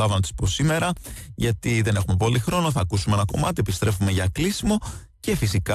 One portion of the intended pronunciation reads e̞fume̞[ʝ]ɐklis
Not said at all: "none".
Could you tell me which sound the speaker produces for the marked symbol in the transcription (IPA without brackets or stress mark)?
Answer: ʝ